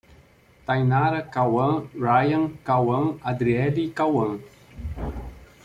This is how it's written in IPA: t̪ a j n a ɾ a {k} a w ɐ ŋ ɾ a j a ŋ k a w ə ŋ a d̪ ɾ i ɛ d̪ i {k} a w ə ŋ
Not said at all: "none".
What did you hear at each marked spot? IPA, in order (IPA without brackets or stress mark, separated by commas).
k, k